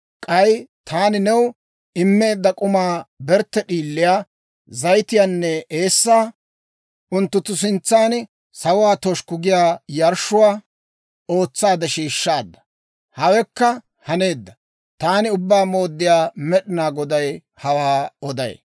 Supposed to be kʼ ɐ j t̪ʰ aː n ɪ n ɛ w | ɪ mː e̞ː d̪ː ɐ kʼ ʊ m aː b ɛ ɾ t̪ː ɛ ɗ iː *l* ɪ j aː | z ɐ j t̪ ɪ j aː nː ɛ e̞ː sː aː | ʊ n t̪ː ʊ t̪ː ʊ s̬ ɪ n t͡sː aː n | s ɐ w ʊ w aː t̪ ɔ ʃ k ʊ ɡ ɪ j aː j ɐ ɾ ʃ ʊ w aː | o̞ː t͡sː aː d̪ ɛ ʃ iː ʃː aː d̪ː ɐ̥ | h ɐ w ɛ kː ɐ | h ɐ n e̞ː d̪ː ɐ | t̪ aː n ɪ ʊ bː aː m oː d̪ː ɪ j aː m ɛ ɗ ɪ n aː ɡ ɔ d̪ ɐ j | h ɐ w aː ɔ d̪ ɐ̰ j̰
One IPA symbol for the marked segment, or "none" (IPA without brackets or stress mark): lː